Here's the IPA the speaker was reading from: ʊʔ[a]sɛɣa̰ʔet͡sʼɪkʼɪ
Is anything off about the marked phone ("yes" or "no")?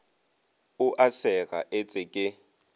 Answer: no